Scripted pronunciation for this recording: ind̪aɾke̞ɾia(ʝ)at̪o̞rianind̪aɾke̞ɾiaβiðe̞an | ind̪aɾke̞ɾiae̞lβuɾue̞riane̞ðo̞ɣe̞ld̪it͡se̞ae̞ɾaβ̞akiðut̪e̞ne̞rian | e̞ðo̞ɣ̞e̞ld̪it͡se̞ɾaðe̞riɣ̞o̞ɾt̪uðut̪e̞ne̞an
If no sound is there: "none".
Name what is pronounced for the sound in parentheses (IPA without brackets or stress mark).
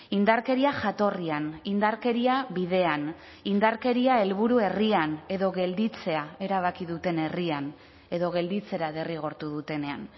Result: ʝ